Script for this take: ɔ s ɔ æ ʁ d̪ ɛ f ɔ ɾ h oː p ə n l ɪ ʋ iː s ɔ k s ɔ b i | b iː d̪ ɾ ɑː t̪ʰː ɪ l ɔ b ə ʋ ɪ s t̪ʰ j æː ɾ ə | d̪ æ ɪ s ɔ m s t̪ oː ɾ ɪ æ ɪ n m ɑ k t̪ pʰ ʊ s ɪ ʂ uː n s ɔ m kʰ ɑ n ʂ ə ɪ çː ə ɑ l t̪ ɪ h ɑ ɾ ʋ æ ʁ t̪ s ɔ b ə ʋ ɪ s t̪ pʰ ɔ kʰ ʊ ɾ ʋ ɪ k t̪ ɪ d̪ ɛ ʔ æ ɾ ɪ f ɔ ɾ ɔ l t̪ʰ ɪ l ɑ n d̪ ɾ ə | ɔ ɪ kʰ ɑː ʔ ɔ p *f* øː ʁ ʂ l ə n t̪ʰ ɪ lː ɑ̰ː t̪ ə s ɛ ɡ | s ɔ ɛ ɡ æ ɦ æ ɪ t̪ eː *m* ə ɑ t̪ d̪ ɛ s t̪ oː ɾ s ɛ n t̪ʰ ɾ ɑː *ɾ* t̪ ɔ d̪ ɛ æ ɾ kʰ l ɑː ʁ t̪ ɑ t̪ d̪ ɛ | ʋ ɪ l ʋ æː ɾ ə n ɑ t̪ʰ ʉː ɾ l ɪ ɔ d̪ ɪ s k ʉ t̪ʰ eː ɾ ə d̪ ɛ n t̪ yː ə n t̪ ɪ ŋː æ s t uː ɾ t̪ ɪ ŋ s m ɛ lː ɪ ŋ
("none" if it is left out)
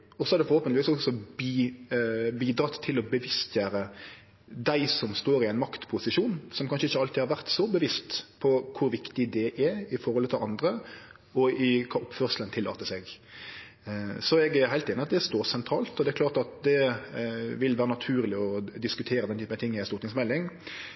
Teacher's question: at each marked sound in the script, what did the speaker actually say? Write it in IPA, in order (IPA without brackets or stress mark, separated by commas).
f, n, l